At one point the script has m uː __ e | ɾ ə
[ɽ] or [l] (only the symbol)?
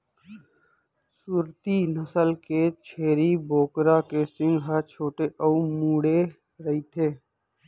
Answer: ɽ